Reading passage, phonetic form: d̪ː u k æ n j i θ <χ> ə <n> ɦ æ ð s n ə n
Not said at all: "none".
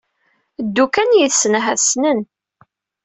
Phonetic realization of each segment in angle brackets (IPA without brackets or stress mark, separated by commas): s, n